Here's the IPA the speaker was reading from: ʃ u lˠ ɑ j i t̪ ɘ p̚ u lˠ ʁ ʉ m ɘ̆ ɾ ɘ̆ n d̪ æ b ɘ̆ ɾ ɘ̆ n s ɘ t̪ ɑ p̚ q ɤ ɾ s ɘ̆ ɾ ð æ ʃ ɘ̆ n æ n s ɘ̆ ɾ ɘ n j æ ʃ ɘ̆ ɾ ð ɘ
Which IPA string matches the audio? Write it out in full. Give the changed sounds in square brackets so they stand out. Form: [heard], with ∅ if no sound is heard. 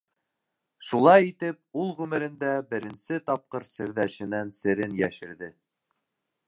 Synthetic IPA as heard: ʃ u lˠ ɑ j i t̪ ɘ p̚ u lˠ ʁ ʉ m ɘ̆ ɾ ɘ̆ n d̪ æ b ɘ̆ ɾ ɘ̆ n s ɘ t̪ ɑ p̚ q ɤ ɾ s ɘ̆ ɾ ð æ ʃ ɘ̆ n æ n s ɘ̆ ɾ ɘ n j æ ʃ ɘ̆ ɾ ð ɘ